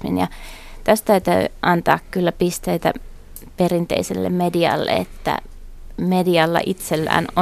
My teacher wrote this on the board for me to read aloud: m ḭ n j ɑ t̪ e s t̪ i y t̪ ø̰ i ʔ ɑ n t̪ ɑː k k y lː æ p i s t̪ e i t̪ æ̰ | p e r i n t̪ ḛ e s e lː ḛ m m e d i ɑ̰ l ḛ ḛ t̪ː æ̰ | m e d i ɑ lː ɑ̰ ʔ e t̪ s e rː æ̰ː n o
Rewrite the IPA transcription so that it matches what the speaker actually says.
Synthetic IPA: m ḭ n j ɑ t̪ æ s t̪ æ y t̪ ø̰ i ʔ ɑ n t̪ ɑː k k y lː æ p i s t̪ e i t̪ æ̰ | p e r i n t̪ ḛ i s e lː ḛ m m e d i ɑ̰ lː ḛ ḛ t̪ː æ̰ | m e d i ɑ lː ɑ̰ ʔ i t̪ s e lː æ̰ː n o